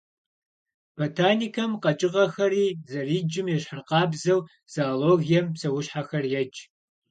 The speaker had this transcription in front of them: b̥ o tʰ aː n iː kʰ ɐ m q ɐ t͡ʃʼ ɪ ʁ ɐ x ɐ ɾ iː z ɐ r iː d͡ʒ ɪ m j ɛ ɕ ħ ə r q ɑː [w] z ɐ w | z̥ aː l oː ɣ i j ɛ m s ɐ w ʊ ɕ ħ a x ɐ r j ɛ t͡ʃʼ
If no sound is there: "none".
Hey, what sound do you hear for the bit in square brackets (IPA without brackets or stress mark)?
b